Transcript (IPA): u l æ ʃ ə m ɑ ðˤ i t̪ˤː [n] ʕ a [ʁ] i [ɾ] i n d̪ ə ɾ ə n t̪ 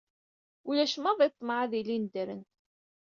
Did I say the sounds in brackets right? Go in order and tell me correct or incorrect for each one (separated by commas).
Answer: incorrect, incorrect, incorrect